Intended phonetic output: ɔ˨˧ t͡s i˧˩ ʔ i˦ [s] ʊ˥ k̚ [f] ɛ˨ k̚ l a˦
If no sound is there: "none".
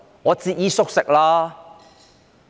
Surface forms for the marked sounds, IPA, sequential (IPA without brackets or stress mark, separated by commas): s, s